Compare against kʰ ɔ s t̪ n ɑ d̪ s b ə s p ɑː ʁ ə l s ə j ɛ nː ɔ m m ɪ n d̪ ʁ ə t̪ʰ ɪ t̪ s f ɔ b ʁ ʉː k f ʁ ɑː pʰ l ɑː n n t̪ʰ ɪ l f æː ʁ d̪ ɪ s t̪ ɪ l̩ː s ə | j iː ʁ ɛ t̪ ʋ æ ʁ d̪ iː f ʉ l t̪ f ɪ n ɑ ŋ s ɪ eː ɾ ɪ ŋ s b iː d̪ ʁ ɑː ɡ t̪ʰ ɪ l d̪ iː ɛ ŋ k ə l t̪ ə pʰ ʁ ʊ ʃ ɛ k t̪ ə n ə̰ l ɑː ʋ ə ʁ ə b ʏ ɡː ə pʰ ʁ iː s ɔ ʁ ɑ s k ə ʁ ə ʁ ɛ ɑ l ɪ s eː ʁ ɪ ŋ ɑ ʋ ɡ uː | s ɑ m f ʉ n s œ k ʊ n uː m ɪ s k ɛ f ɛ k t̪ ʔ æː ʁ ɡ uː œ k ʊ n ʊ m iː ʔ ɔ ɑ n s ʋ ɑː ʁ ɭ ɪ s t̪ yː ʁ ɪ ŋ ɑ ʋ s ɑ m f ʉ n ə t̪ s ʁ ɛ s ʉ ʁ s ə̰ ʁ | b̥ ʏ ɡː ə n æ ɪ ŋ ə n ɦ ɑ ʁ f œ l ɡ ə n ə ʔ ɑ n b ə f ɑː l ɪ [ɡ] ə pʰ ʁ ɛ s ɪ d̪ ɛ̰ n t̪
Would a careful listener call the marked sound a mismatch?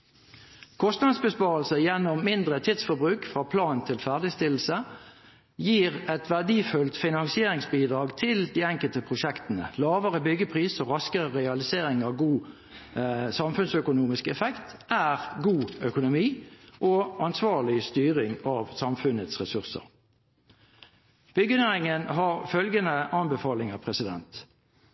yes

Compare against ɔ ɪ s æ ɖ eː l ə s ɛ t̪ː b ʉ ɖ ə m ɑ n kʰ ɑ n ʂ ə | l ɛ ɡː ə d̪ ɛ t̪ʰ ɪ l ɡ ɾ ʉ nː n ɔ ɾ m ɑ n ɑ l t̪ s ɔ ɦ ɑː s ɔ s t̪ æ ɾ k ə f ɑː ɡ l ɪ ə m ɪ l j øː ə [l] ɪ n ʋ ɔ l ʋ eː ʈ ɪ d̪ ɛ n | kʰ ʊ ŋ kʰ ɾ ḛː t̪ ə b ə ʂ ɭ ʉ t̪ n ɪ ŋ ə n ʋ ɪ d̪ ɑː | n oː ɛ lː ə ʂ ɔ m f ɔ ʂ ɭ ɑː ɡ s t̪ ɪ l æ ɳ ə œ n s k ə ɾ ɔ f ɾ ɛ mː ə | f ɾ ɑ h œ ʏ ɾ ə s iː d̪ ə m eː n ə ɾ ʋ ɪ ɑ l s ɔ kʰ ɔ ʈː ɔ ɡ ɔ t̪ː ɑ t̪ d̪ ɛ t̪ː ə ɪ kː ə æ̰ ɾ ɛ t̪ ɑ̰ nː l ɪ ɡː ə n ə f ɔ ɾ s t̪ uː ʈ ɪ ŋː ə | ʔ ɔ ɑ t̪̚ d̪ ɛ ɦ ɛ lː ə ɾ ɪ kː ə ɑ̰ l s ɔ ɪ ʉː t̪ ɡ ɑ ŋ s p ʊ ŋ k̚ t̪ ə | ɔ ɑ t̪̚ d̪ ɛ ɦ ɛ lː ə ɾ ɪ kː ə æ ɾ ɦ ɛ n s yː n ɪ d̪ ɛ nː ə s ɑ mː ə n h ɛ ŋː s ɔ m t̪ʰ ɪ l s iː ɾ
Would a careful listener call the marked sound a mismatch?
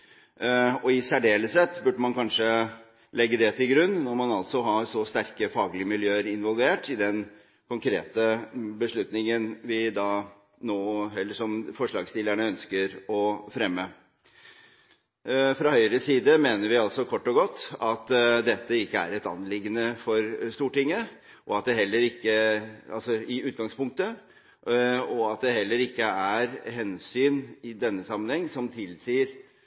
yes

